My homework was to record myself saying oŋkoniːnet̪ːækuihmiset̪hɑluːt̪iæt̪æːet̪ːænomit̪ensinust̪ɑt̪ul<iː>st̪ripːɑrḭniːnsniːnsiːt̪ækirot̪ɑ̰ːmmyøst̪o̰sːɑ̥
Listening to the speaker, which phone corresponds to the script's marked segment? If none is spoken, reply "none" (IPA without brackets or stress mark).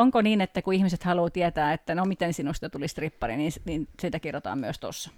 i